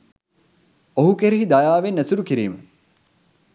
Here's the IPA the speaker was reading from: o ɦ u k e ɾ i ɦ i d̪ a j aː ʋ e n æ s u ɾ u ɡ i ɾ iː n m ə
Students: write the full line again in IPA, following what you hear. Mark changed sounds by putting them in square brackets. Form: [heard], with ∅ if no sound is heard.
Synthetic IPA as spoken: o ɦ u k e ɾ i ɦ i d̪ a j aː ʋ e n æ s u ɾ u [k] i ɾ iː [∅] m ə